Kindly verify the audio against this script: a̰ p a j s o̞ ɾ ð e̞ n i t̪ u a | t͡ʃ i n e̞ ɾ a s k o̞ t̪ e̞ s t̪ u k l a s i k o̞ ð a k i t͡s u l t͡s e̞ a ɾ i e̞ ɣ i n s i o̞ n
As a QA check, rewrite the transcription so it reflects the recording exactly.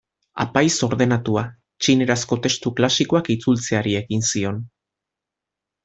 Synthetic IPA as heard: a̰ p a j s o̞ ɾ ð e̞ n a t̪ u a | t͡ʃ i n e̞ ɾ a s k o̞ t̪ e̞ s t̪ u k l a s i k o̞ a k i t͡s u l t͡s e̞ a ɾ i e̞ ɣ i n s i o̞ n